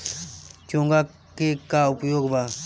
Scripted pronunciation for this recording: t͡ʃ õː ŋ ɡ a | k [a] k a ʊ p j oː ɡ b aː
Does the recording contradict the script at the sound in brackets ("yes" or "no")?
yes